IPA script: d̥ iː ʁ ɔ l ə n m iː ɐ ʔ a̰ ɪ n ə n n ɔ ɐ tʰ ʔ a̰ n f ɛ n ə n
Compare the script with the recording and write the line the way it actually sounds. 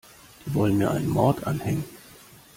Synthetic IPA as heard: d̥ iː v ɔ l ə n m iː ɐ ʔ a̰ ɪ n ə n m ɔ ɐ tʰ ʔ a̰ n h ɛ ŋ ə n

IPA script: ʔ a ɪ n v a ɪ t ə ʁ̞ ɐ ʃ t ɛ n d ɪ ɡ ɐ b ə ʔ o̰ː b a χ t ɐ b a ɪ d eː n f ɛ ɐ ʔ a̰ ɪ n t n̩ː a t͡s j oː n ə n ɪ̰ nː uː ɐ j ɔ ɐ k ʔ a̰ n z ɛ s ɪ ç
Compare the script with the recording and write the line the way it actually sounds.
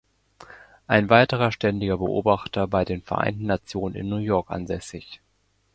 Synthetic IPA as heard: ʔ a ɪ n v a ɪ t ə ʁ̞ ɐ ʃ t ɛ n d ɪ ɡ ɐ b ə ʔ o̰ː b a χ t ɐ b a ɪ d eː n f ɛ ɐ ʔ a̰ ɪ n t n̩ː a t͡s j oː n ə n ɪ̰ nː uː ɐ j ɔ ɐ k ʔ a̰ n z ɛ s ɪ ç

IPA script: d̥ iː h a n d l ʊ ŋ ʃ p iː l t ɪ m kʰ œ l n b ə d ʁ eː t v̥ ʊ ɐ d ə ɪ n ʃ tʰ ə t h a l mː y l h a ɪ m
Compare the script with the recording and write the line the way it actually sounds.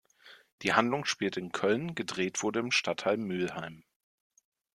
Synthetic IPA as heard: d̥ iː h a n d l ʊ ŋ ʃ p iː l t ɪ n kʰ œ l n ɡ ə d ʁ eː t v̥ ʊ ɐ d ə ɪ m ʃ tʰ a t h a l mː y l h a ɪ m

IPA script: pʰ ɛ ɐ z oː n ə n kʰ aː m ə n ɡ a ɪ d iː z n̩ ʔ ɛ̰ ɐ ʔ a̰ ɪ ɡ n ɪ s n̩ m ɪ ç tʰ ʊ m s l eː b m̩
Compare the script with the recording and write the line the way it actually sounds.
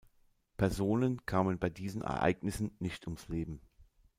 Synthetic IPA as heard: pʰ ɛ ɐ z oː n ə n kʰ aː m ə n b a ɪ d iː z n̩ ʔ ɛ̰ ɐ ʔ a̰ ɪ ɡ n ɪ s n̩ n ɪ ç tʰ ʊ m s l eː b m̩

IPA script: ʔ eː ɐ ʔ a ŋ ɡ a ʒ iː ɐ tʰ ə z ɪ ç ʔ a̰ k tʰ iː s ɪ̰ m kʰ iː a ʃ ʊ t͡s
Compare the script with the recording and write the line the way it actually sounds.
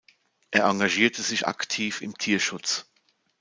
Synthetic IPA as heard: ʔ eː ɐ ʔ a ŋ ɡ a ʒ iː ɐ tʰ ə z ɪ ç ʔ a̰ k tʰ iː f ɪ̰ m tʰ iː ɐ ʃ ʊ t͡s

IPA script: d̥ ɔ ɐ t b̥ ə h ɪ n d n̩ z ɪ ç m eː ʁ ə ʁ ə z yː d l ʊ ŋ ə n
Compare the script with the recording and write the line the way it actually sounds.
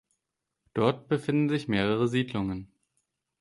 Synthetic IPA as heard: d̥ ɔ ɐ t b̥ ə f ɪ n d n̩ z ɪ ç m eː ʁ ə ʁ ə z iː d l ʊ ŋ ə n

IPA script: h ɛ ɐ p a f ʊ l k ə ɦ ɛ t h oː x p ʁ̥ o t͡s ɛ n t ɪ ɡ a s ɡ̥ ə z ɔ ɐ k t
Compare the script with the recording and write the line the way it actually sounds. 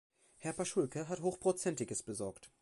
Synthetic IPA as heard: h ɛ ɐ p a ʃ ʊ l k ə ɦ a t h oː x p ʁ̥ o t͡s ɛ n t ɪ ɡ ə s b̥ ə z ɔ ɐ k t

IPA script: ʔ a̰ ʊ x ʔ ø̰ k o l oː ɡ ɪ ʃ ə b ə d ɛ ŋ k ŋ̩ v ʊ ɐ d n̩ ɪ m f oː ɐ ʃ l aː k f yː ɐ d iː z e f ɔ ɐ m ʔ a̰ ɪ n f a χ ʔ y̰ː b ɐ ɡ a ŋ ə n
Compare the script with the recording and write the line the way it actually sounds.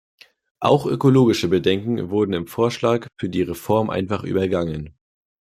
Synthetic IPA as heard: ʔ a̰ ʊ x ʔ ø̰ k o l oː ɡ ɪ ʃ ə b ə d ɛ ŋ k ŋ̩ v ʊ ɐ d n̩ ɪ m f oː ɐ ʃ l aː k f yː ɐ d iː ʁ e f ɔ ɐ m ʔ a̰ ɪ n f a χ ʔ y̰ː b ɐ ɡ a ŋ ə n

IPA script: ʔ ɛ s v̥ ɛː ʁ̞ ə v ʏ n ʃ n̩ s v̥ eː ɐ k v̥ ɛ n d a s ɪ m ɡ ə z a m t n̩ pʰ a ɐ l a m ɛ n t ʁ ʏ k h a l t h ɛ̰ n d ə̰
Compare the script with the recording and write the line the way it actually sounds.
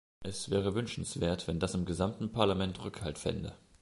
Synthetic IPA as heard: ʔ ɛ s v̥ ɛː ʁ̞ ə v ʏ n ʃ n̩ s v̥ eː ɐ t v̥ ɛ n d a s ɪ m ɡ ə z a m t n̩ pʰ a ɐ l a m ɛ n t ʁ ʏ k h a l t f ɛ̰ n d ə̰

